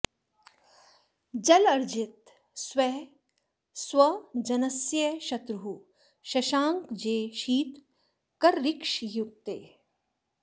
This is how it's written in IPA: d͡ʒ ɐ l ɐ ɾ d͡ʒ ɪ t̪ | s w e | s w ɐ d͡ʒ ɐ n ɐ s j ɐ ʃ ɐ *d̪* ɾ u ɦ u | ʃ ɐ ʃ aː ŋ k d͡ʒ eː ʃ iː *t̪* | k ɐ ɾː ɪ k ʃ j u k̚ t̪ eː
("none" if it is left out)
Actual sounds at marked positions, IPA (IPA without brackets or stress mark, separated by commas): t̪, t̪